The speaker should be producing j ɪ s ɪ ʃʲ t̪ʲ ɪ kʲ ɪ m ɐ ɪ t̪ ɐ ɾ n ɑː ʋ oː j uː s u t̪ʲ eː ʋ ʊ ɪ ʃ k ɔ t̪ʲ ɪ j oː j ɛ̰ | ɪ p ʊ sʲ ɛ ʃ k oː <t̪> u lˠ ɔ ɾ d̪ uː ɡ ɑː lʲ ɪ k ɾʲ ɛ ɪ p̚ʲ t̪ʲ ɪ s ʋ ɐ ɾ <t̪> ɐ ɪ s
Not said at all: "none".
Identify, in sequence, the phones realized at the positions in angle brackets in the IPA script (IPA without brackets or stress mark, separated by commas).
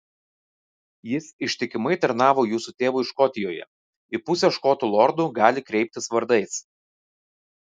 t̪, d̪